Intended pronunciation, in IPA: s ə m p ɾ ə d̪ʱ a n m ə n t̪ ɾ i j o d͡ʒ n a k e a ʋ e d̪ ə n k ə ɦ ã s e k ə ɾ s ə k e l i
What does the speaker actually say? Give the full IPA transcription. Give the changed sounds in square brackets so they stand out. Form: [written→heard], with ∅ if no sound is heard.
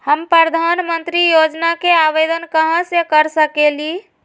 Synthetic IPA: [s→h] ə m p ɾ ə d̪ʱ a n m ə n t̪ ɾ i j o d͡ʒ n a k e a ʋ e d̪ ə n k ə ɦ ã s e k ə ɾ s ə k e l i